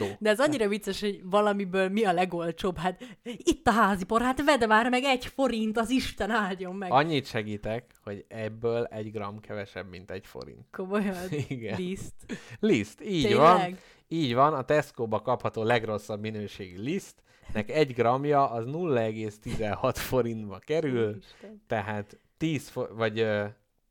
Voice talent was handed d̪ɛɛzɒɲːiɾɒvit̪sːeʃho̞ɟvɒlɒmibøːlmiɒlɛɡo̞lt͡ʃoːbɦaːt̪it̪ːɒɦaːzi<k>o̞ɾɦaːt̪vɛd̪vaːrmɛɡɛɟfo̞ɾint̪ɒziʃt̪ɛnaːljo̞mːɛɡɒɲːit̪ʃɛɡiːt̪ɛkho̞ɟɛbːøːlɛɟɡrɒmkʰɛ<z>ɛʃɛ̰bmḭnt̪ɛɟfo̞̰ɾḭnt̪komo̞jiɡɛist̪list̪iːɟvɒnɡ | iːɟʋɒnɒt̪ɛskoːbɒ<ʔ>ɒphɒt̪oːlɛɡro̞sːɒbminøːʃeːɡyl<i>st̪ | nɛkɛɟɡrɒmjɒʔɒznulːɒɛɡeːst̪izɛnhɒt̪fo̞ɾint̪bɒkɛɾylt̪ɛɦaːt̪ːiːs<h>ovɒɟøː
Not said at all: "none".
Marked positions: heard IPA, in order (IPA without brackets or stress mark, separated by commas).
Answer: p, v, k, i, f